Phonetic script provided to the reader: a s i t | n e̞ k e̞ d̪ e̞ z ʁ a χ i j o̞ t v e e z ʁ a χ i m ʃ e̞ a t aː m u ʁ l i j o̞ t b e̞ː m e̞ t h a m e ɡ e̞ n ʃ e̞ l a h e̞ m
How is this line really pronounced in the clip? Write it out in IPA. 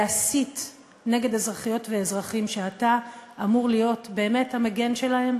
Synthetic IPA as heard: a s i t | n e̞ ɡ e̞ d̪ e̞ z ʁ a χ i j o̞ t v e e z ʁ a χ i m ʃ e̞ a t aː m u ʁ l i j o̞ t b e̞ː m e̞ t h a m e ɡ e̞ n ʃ e̞ l a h e̞ m